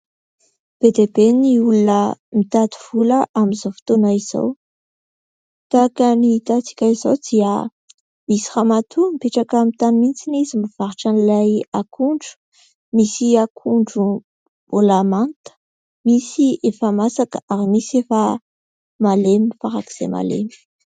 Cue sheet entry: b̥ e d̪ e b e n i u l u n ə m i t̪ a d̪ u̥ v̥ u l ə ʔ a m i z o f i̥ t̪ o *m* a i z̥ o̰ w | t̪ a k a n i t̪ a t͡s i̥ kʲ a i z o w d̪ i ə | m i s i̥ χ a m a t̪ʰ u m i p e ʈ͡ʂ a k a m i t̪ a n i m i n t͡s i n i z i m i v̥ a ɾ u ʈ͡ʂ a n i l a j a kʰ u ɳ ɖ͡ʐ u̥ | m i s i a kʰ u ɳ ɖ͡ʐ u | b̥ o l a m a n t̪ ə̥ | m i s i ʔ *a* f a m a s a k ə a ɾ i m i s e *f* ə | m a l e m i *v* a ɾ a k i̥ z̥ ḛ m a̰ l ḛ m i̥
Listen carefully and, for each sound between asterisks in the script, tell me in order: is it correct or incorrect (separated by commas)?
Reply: incorrect, incorrect, correct, incorrect